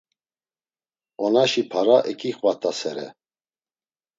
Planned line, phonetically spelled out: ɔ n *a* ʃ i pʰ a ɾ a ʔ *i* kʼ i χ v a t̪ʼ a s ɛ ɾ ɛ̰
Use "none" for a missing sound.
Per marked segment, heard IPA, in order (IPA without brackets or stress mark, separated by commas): a, ɛ